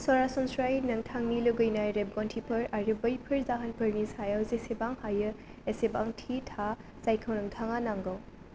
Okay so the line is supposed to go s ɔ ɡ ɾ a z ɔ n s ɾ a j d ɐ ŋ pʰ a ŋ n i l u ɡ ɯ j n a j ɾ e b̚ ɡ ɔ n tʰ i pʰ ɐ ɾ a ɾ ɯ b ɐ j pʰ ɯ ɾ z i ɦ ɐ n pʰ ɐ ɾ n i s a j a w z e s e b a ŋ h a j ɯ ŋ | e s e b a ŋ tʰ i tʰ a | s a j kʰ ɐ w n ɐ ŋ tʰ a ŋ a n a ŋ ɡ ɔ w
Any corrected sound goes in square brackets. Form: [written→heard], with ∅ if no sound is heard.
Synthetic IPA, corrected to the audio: s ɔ [ɡ→∅] ɾ a [z→s] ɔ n s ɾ a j [d→n] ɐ ŋ [pʰ→tʰ] a ŋ n i l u ɡ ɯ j n a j ɾ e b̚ ɡ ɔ n tʰ i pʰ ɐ ɾ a ɾ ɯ b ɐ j pʰ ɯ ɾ z [i→a] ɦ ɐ n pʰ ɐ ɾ n i s a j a w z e s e b a ŋ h a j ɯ [ŋ→∅] | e s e b a ŋ tʰ i tʰ a | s a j kʰ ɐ w n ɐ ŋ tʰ a ŋ a n a ŋ ɡ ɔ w